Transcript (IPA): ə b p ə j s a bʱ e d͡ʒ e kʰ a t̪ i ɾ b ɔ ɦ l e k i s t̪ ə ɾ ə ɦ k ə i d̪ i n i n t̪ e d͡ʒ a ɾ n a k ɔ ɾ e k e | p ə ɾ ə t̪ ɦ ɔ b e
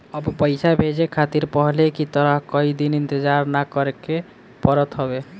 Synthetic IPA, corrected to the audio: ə b p ə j s a bʱ e d͡ʒ e kʰ a t̪ i ɾ p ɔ ɦ l e k i t̪ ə ɾ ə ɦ k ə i d̪ i n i n t̪ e d͡ʒ a ɾ n a k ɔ ɾ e k e | p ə ɾ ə t̪ ɦ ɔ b e